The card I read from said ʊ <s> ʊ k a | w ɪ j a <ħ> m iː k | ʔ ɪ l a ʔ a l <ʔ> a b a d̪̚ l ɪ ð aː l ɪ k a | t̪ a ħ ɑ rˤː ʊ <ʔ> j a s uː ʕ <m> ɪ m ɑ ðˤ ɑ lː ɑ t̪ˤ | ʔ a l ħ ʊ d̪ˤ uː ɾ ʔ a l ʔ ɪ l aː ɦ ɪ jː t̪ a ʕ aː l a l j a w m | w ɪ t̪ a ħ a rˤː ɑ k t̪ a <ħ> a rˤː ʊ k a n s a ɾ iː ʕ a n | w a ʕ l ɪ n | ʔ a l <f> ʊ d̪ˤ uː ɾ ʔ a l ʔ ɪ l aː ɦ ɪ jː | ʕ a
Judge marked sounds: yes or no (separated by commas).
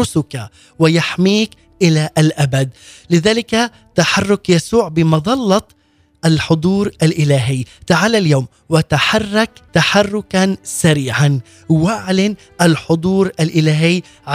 yes, yes, yes, no, no, yes, no